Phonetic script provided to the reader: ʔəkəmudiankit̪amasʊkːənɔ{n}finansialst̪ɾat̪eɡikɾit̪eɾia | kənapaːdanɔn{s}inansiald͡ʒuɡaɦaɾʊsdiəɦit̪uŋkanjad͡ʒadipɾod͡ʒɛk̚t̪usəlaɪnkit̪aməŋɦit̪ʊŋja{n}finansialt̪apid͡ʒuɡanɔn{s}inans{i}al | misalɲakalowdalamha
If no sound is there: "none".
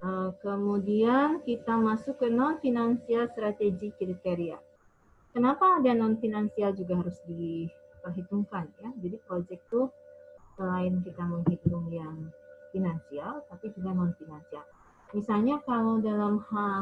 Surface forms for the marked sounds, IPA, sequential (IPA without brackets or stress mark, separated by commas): n, f, ŋ, f, i